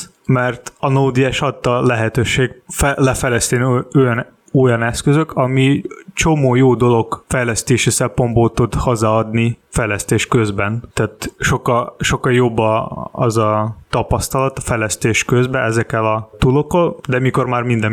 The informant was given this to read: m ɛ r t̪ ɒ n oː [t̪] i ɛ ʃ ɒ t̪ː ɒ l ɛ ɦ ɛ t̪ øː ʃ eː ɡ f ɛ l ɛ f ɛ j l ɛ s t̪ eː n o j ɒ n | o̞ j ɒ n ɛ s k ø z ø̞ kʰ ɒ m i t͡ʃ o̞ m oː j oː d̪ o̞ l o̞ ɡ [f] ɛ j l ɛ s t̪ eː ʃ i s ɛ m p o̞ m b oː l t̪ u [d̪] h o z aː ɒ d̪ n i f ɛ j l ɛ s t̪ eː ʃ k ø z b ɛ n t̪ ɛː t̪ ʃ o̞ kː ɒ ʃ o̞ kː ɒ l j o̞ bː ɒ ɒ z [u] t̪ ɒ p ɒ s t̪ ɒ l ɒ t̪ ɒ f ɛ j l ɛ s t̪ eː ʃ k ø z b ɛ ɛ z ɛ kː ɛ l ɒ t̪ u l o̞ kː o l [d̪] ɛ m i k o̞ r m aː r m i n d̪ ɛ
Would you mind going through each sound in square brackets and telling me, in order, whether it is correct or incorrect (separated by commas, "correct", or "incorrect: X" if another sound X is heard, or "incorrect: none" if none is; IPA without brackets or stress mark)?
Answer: incorrect: d̪, correct, correct, incorrect: ɒ, correct